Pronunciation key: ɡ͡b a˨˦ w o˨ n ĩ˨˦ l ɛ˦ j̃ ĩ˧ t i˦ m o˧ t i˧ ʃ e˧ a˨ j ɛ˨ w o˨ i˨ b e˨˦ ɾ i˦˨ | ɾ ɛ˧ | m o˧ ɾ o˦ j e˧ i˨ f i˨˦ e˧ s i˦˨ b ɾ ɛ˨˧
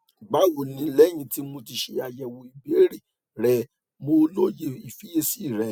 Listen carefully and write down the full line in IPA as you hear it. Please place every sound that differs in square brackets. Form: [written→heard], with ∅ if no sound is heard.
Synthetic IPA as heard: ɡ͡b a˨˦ w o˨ n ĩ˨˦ l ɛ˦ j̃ ĩ˧ t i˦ m o˧ t i˧ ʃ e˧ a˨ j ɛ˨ w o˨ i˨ b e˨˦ ɾ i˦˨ | ɾ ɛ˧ | m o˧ [ɾ→l] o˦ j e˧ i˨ f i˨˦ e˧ s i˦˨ [b→∅] ɾ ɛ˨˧